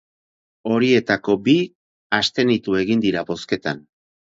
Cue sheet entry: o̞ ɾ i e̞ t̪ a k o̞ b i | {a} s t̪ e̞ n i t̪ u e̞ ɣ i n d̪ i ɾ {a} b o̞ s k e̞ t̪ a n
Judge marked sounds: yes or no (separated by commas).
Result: yes, yes